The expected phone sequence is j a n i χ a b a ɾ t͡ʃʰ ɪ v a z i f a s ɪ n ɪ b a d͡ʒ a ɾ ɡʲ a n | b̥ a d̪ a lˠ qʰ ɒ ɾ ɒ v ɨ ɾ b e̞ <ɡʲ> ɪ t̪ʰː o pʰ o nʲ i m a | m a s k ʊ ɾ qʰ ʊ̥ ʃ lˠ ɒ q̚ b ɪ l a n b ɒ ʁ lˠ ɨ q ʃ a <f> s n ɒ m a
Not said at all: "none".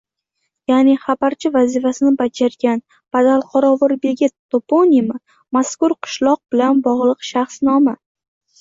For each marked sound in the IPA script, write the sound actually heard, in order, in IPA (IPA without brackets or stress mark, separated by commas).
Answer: ɡʲ, χ